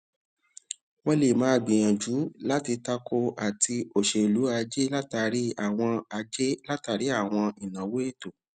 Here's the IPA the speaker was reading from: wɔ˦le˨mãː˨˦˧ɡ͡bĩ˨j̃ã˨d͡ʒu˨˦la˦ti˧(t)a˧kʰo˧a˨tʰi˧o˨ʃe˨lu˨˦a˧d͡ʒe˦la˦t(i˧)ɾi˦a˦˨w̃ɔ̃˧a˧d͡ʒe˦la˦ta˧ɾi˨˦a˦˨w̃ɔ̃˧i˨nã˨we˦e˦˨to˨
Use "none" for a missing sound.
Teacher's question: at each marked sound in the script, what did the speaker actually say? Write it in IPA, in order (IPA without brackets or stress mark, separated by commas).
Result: t, a˧